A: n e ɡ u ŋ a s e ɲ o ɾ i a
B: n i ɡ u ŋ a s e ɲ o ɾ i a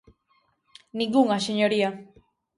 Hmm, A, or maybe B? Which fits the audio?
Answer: B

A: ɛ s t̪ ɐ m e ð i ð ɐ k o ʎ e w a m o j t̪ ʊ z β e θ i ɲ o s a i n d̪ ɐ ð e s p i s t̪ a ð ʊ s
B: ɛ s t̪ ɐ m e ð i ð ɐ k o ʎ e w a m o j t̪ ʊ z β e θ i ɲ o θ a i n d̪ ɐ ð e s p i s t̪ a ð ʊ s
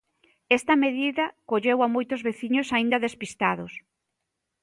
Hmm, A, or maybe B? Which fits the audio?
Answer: A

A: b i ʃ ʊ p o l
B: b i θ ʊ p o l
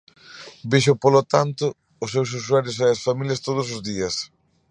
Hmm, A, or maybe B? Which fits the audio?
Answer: A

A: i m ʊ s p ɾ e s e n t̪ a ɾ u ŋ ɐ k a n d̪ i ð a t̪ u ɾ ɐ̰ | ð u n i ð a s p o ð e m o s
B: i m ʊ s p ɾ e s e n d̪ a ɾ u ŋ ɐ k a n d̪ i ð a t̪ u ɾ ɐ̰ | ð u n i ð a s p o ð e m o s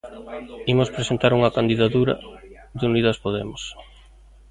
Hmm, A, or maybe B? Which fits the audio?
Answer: A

